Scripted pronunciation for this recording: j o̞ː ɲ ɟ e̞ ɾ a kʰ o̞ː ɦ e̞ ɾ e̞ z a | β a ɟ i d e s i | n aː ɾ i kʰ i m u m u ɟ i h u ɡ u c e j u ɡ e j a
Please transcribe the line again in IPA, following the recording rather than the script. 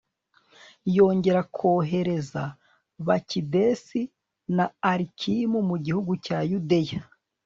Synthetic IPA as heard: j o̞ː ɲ ɟ e̞ ɾ a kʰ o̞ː ɦ e̞ ɾ e̞ z a | β a c i d e s i | n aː ɾ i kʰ i m u m u ɟ i h u ɡ u c a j u d e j a